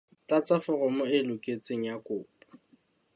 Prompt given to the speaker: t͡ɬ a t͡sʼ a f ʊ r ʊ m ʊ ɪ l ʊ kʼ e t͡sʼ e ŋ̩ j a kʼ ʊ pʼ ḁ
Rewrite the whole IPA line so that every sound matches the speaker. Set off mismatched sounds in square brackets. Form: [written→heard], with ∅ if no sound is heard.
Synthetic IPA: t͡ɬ a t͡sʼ a f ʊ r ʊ m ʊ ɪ l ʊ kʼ e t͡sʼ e ŋ̩ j a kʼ [ʊ→ʊː] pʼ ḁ